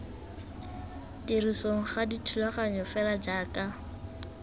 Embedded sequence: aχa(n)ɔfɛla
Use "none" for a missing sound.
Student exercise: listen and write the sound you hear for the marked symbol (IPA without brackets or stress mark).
ɲ